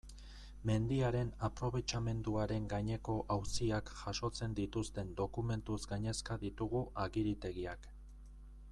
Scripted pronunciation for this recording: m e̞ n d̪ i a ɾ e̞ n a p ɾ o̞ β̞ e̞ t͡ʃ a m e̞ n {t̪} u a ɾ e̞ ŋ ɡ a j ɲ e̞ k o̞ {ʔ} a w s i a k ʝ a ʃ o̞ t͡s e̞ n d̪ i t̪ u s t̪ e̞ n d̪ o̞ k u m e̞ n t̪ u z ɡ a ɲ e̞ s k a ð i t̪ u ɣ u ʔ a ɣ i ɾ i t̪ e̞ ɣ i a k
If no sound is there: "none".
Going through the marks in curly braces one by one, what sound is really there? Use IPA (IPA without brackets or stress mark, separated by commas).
d̪, ʔ